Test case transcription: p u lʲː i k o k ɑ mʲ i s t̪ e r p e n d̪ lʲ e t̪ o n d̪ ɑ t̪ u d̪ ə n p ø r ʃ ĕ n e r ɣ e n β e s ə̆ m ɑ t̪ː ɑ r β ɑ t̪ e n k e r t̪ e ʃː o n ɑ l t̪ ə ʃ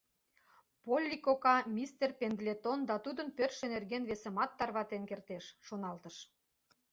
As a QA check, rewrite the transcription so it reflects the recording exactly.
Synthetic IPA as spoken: p o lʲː i k o k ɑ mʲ i s t̪ e r p e n d̪ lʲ e t̪ o n d̪ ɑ t̪ u d̪ ə n p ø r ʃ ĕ n e r ɣ e n β e s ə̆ m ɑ t̪ː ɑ r β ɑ t̪ e n k e r t̪ e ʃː o n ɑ l t̪ ə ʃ